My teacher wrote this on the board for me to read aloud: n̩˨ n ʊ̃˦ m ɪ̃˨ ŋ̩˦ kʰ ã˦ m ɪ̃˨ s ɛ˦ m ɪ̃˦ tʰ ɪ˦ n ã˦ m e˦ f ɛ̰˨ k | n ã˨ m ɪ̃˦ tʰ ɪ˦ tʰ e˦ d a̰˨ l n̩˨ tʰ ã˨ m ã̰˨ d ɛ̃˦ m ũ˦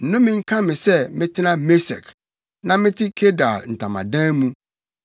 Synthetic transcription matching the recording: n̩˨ n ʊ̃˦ m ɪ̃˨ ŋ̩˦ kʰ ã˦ m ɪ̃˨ s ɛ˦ m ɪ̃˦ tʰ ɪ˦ n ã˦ m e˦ s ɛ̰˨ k | n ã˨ m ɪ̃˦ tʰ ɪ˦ kʰ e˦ d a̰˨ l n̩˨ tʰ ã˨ m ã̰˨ d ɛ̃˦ m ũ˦